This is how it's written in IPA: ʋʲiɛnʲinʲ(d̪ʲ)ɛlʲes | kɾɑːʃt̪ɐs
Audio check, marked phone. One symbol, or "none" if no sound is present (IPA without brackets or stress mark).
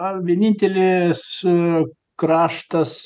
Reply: t̪ʲ